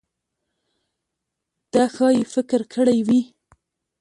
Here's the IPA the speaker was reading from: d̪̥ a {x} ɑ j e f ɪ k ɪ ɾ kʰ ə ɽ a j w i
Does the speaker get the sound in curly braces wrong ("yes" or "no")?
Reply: no